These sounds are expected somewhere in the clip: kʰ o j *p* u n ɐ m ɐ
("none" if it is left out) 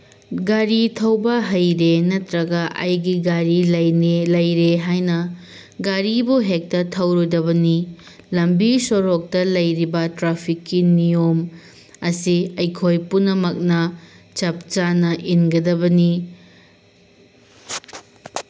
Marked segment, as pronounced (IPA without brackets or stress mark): p